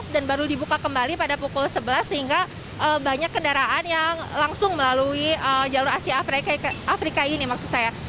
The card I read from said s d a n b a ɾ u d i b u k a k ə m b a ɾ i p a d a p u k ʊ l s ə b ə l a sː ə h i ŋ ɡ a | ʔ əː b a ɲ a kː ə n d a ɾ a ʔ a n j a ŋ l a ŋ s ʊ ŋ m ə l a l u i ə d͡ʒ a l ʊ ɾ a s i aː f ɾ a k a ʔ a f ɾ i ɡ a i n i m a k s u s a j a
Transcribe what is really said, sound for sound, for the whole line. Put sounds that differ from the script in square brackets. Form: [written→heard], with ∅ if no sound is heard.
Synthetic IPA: s d a n b a ɾ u d i b u k a k ə m b a [ɾ→l] i p a d a p u k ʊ l s ə b ə l a sː ə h i ŋ ɡ a | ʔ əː b a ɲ a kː ə n d a ɾ a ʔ a n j a ŋ l a ŋ s ʊ ŋ m ə l a l u i ə d͡ʒ a l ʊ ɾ a s i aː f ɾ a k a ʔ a f ɾ i [ɡ→k] a i n i m a k s u s a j a